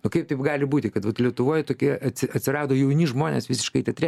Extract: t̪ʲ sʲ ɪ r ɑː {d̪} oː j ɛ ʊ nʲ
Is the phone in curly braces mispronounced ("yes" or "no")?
no